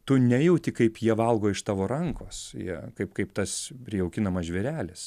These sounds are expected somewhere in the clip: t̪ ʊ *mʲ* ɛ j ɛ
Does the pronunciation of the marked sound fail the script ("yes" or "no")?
yes